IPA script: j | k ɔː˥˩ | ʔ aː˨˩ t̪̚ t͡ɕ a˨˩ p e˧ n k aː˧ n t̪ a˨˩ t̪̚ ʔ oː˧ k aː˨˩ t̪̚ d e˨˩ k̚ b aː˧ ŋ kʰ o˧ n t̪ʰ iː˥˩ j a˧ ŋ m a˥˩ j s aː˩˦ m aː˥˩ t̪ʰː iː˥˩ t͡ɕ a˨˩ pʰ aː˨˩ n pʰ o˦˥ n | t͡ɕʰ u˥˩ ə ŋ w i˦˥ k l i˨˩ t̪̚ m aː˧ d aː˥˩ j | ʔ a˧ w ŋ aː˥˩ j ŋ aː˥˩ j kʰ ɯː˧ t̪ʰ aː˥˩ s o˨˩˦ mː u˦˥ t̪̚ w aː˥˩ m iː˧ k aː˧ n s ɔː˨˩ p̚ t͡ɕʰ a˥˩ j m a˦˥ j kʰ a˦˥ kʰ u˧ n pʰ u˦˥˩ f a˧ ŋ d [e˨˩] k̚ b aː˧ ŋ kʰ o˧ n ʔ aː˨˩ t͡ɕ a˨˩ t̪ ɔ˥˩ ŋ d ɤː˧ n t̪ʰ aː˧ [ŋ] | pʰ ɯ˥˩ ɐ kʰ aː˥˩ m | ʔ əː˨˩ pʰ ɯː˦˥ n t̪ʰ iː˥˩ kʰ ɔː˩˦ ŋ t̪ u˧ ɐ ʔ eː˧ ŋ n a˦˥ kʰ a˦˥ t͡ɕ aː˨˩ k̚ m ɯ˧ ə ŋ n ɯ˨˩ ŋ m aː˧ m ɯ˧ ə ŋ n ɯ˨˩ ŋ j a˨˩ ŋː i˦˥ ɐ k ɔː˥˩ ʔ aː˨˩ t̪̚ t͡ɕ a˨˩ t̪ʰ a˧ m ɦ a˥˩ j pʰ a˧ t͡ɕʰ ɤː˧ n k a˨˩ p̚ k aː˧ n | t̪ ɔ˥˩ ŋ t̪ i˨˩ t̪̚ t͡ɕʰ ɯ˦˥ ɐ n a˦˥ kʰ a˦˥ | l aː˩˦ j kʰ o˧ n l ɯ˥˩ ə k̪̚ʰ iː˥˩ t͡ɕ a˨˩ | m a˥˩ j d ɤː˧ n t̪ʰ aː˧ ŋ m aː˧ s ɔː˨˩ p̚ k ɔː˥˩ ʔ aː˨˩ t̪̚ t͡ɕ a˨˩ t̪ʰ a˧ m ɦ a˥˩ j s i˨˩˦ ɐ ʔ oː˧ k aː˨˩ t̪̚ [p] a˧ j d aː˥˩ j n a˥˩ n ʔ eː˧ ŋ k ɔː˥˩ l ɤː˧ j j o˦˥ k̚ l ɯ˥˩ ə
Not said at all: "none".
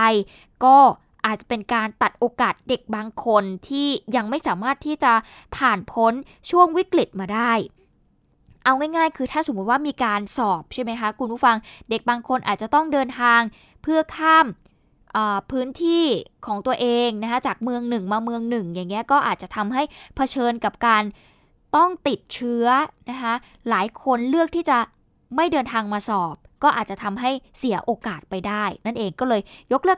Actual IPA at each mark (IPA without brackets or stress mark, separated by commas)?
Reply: e˨˩, ŋ, p